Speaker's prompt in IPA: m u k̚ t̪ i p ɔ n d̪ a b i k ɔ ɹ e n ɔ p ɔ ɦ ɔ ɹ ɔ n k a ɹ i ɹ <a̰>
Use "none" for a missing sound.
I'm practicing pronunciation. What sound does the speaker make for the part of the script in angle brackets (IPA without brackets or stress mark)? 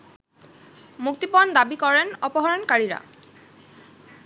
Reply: a̰